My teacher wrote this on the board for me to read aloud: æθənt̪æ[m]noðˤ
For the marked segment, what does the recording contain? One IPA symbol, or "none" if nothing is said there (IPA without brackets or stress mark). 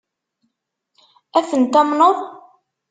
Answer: m